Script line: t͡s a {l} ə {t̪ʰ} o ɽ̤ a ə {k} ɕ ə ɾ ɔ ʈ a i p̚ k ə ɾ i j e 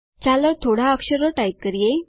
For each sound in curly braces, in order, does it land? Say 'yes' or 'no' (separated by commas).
yes, yes, yes